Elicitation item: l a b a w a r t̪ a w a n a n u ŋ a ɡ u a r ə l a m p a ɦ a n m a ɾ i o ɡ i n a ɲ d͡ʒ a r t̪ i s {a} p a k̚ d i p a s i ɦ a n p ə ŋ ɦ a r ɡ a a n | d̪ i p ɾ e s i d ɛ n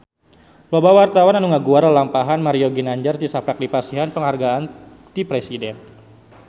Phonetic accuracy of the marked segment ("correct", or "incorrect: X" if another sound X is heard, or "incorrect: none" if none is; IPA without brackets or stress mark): correct